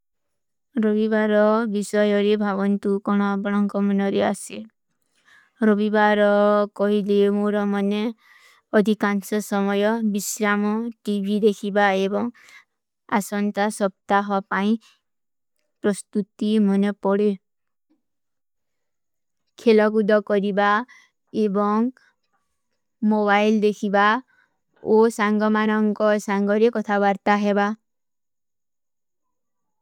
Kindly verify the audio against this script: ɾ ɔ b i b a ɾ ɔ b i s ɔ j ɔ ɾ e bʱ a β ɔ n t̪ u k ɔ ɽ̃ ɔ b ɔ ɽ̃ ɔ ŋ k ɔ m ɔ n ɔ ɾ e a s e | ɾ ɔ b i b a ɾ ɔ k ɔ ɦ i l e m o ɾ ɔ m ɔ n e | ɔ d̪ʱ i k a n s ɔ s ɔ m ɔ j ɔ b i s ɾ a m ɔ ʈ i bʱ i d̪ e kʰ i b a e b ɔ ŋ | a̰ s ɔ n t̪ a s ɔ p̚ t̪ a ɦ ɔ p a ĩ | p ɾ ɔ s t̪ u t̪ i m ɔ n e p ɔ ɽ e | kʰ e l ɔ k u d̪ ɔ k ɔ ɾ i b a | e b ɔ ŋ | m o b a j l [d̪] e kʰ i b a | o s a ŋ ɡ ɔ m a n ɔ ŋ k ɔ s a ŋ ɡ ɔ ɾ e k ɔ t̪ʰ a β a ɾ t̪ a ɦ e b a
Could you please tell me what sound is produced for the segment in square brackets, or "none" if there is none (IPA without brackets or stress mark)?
d̪